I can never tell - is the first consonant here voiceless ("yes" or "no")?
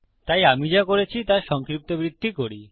yes